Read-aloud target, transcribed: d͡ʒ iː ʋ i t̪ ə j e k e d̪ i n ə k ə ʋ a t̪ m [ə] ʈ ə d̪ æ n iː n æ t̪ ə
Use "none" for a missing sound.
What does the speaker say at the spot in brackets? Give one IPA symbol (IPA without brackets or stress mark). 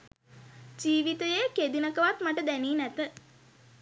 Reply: a